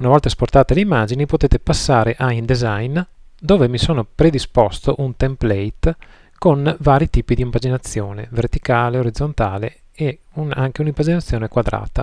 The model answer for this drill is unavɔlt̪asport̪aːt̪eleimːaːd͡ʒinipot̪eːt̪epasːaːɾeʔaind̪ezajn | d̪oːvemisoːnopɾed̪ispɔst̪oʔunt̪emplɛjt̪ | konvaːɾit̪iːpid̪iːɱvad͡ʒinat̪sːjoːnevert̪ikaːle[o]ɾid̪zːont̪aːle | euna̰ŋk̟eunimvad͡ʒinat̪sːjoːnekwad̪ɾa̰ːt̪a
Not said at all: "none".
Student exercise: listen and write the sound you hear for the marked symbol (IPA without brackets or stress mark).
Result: o